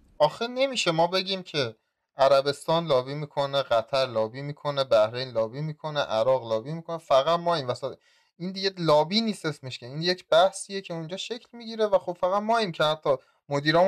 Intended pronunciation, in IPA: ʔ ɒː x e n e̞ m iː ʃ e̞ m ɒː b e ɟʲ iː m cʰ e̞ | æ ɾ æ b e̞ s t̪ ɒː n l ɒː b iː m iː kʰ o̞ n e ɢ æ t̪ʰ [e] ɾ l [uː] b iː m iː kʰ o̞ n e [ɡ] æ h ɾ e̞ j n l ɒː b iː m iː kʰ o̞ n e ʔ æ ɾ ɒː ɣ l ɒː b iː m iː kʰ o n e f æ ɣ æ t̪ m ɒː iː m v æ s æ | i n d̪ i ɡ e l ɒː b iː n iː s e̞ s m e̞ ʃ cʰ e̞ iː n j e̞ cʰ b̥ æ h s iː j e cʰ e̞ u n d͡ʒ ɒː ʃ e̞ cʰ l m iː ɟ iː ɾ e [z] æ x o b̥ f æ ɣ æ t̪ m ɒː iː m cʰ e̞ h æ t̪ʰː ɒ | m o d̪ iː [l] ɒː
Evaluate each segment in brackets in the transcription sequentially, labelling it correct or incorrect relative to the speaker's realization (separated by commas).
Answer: incorrect, incorrect, incorrect, incorrect, incorrect